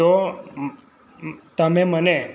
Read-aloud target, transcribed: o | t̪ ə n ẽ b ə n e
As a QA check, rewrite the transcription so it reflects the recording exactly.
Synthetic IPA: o | t̪ ə m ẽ m ə n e